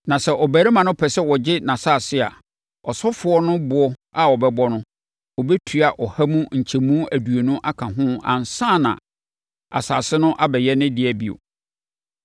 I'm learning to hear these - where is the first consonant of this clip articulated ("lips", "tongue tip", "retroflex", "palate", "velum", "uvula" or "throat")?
tongue tip